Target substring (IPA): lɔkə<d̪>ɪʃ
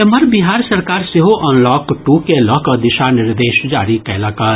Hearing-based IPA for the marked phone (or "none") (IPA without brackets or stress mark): d̪